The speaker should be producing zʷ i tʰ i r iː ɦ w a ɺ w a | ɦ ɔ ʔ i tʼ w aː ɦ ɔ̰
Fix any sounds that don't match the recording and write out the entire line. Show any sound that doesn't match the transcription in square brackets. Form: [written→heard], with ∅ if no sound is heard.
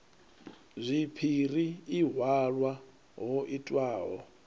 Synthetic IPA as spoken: zʷ i [tʰ→pʰ] i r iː ɦ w a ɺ w a | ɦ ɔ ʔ i tʼ w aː ɦ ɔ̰